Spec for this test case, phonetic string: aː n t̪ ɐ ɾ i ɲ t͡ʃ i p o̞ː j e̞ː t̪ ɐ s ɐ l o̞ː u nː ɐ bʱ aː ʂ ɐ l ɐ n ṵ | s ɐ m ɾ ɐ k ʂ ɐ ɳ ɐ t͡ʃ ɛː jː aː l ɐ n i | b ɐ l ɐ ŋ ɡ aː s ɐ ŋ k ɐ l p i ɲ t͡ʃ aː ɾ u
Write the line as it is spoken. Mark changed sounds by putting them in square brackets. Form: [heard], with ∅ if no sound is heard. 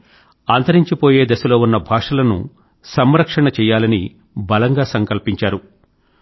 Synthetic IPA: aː n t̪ ɐ ɾ i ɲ t͡ʃ i p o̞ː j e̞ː [d̪] ɐ s ɐ l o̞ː u nː ɐ bʱ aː ʂ ɐ l ɐ n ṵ | s ɐ m ɾ ɐ k ʂ ɐ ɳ ɐ t͡ʃ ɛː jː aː l ɐ n i | b ɐ l ɐ ŋ ɡ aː s ɐ ŋ k ɐ l p i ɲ t͡ʃ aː ɾ u